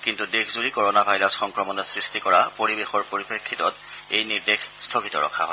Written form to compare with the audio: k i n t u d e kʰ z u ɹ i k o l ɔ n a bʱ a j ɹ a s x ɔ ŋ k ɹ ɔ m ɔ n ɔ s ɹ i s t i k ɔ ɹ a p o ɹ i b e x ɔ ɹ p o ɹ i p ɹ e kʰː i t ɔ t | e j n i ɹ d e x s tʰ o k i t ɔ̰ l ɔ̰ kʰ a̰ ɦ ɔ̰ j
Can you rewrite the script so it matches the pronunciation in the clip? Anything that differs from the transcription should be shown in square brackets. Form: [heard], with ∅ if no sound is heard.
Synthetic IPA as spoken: k i n t u d e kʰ z u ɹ i k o [ɹ] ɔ n a bʱ a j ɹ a s x ɔ ŋ k ɹ ɔ m ɔ n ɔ s ɹ i s t i k ɔ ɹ a p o ɹ i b e x ɔ ɹ p o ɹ i p ɹ e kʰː i t ɔ t | e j n i ɹ d e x s tʰ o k i t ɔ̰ [ɹ] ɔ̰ kʰ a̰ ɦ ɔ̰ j